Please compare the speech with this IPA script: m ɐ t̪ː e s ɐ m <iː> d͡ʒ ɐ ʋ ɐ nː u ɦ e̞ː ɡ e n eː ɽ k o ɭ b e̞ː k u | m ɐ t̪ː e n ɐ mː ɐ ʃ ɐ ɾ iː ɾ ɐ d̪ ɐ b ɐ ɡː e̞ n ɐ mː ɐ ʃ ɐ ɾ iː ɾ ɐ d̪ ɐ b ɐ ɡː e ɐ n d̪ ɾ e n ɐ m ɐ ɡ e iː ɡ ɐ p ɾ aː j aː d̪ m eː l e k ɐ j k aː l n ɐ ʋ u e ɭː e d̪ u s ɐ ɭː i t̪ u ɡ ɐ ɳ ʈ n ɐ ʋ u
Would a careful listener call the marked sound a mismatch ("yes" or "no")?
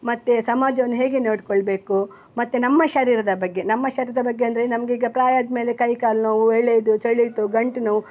yes